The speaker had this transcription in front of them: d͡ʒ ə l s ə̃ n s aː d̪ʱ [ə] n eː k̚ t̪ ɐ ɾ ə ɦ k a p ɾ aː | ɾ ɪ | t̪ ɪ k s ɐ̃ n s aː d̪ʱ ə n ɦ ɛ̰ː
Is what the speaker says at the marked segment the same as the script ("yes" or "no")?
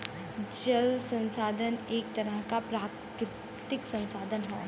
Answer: yes